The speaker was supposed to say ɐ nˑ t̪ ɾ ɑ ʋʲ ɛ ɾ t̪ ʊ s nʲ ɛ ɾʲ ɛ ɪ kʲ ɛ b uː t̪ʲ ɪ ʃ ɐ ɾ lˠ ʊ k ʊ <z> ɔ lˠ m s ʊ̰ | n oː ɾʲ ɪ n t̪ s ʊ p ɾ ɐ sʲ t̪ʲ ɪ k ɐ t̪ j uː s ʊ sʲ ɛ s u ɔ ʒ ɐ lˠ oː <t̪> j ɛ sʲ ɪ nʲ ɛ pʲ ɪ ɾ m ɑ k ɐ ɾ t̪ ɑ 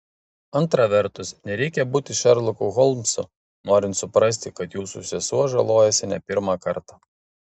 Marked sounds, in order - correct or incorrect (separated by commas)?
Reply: incorrect, incorrect